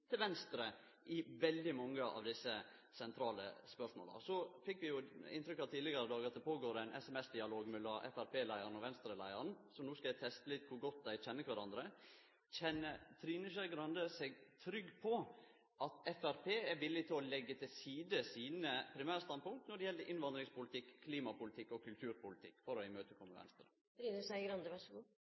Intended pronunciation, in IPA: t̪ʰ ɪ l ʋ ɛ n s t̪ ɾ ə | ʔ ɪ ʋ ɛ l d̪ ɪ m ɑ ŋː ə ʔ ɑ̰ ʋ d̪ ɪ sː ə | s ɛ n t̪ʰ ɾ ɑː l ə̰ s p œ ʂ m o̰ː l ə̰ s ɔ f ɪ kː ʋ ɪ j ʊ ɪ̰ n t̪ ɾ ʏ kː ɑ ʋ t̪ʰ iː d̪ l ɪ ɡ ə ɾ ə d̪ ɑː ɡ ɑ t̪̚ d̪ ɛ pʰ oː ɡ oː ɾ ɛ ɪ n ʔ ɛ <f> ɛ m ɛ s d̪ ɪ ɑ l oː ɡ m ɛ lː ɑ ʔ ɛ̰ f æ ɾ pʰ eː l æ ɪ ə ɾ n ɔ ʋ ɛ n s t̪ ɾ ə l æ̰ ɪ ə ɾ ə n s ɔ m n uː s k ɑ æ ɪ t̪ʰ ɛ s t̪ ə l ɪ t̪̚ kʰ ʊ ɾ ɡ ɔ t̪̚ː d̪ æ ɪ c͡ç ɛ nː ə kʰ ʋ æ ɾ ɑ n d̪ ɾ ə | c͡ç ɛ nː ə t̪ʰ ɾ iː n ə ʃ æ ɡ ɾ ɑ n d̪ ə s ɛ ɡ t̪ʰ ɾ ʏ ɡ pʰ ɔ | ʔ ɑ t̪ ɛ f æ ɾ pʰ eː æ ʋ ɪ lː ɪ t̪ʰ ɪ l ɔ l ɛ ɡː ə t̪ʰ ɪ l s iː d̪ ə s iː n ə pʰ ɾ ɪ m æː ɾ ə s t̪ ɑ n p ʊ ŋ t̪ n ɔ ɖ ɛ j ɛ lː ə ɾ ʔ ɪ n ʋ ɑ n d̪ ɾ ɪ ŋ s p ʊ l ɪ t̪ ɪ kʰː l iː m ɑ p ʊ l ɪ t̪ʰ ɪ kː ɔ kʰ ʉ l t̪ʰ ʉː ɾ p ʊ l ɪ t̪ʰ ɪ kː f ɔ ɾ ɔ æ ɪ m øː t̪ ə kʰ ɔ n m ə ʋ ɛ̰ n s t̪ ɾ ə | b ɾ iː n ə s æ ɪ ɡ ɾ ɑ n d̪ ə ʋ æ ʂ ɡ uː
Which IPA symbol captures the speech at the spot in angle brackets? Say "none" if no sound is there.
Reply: s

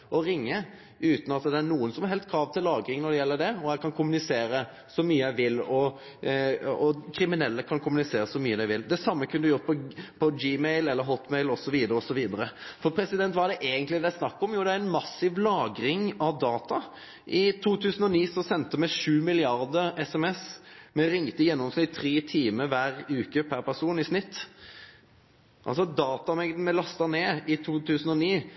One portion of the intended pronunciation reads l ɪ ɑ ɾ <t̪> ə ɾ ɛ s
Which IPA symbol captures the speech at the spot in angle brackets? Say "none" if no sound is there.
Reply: d̪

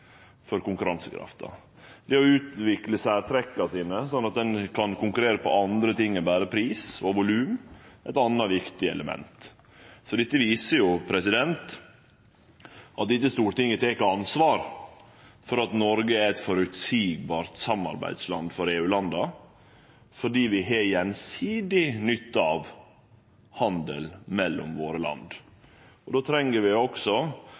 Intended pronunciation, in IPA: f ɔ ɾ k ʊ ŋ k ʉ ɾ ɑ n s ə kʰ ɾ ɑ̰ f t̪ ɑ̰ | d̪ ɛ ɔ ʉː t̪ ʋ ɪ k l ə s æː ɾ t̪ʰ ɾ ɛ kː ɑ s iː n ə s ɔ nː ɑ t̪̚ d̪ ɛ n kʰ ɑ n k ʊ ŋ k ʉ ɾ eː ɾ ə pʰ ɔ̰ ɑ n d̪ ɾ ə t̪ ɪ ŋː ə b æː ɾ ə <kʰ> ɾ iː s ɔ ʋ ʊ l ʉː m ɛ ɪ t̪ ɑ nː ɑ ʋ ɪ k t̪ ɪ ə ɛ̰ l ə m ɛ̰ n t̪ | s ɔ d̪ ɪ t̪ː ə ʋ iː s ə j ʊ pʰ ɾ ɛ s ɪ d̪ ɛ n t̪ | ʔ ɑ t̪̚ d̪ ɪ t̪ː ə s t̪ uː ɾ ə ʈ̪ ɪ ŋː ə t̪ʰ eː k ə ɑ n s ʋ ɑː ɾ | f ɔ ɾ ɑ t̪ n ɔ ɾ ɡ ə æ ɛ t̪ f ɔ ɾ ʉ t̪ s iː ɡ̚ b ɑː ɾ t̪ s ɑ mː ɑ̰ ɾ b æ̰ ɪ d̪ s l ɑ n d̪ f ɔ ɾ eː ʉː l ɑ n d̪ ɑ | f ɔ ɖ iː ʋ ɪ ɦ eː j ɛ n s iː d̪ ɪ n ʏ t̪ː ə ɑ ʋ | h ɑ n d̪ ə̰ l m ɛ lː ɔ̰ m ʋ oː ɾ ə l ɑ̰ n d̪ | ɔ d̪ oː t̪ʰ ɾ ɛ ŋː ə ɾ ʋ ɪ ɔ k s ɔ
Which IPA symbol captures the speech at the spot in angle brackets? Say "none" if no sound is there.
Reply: pʰ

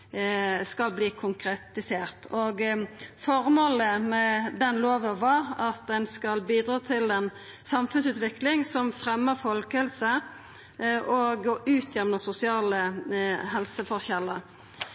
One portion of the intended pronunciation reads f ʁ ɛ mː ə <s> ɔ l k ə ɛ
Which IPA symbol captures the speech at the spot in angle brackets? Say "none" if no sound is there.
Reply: f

